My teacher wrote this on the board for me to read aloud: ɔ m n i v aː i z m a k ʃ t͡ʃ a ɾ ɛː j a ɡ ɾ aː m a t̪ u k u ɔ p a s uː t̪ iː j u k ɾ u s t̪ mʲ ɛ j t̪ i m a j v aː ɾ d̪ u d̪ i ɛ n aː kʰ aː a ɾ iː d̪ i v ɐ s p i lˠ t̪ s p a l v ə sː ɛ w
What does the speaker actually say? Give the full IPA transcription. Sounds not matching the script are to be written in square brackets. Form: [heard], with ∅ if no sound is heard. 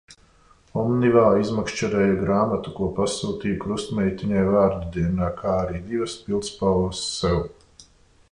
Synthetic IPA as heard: ɔ m n i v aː i z m a k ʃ t͡ʃ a ɾ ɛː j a ɡ ɾ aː m a t̪ u k u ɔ p a s uː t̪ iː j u k ɾ u s t̪ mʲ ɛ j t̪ i [ɲ] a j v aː ɾ d̪ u d̪ i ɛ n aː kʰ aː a ɾ iː d̪ i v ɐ s p i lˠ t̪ s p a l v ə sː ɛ w

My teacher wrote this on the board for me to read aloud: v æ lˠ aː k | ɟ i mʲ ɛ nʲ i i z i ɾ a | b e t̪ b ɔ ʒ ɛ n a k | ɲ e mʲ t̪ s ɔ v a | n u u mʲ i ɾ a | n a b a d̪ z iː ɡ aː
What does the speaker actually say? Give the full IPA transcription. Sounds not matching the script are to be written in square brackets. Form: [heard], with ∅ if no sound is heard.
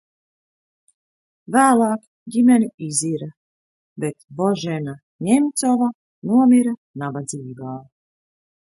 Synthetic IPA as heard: v [æː] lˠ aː k | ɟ i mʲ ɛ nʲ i i z i ɾ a | b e t̪ b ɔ ʒ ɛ n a [∅] | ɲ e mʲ t̪ s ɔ v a | n u [ɔ] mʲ i ɾ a | n a b a d̪ z iː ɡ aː

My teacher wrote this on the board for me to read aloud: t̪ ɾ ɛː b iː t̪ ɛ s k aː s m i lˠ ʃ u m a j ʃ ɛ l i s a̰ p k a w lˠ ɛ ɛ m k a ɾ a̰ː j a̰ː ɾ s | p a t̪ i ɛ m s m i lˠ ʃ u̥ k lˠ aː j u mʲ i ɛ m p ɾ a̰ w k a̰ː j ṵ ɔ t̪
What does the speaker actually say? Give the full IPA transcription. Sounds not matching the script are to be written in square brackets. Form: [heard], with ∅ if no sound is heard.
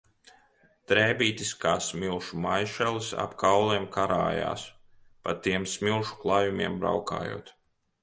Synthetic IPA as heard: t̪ ɾ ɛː b iː t̪ [i] s k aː s m i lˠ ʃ u m a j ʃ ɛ l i s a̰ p k a w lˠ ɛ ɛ m k a ɾ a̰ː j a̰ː [∅] s | p a t̪ i ɛ m s m i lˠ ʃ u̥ k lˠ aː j u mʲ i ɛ m [b] ɾ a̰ w k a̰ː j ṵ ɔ t̪

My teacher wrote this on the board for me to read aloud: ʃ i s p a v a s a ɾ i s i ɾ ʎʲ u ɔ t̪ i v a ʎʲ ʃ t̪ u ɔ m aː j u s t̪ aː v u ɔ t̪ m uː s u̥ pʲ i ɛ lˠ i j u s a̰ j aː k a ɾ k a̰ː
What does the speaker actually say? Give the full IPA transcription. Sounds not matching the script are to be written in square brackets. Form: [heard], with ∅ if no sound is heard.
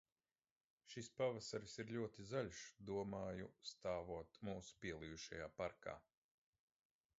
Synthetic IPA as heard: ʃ i s p a v a s a ɾ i s i ɾ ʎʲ u ɔ t̪ i [z] a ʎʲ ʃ [d̪] u ɔ m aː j u s t̪ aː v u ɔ t̪ m uː s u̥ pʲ i ɛ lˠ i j u [ʃ] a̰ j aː [p] a ɾ k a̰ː

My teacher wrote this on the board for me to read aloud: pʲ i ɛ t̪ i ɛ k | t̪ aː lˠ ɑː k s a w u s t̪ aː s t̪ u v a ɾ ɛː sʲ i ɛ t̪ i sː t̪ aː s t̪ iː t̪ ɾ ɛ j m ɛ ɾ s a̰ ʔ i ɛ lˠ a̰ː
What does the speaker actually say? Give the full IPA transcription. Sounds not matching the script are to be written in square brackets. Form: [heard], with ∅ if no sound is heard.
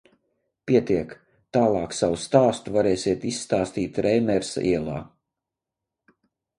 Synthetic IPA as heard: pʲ i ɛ t̪ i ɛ k | t̪ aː lˠ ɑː k s a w u s t̪ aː s t̪ u v a ɾ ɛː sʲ i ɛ t̪ i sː t̪ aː s t̪ iː t̪ ɾ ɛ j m ɛ ɾ s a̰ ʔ i ɛ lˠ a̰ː

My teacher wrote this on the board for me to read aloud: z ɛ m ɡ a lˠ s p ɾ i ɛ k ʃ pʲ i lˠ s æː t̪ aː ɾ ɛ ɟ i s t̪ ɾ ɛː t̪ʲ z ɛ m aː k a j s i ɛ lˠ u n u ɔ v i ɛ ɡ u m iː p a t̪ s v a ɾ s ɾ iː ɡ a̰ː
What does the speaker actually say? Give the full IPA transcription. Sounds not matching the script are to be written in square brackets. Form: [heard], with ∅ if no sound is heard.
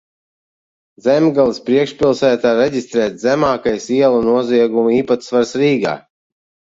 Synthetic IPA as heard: z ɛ m ɡ a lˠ s p ɾ i ɛ k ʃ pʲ i lˠ s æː t̪ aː ɾ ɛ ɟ i s t̪ ɾ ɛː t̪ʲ z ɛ m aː k a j s i ɛ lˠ u n u ɔ [z] i ɛ ɡ u m iː p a t̪ s v a ɾ s ɾ iː ɡ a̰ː

